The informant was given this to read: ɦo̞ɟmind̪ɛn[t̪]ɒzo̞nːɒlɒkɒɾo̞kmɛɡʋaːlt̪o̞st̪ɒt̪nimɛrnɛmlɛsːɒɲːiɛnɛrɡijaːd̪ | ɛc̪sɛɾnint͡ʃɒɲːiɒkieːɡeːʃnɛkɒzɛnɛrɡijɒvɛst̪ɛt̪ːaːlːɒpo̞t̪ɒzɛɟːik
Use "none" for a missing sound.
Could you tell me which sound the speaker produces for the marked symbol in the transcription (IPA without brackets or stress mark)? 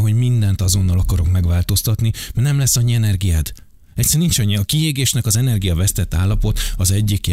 t̪